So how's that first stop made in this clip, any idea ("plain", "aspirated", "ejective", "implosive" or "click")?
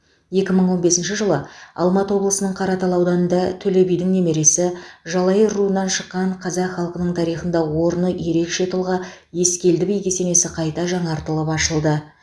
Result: plain